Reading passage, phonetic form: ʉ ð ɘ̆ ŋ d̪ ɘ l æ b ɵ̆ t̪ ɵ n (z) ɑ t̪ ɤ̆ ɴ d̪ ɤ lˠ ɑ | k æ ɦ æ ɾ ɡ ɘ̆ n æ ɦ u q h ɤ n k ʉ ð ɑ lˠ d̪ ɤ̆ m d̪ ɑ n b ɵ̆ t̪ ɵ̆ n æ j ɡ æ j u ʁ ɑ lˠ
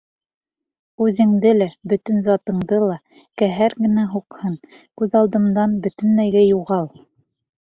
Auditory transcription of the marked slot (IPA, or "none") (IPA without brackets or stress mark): z